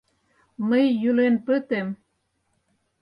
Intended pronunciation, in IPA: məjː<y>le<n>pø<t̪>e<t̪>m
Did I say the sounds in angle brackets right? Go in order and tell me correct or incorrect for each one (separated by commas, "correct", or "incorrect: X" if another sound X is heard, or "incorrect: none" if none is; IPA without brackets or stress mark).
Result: correct, correct, correct, incorrect: none